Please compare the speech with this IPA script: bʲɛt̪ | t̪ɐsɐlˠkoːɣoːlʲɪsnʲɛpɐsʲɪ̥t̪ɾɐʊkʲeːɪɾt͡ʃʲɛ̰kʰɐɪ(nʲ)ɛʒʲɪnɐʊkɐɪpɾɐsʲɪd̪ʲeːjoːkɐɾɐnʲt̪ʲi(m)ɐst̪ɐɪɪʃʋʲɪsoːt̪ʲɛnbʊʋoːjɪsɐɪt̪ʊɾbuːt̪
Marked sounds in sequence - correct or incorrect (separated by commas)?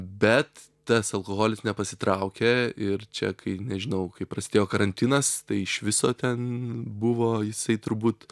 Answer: correct, incorrect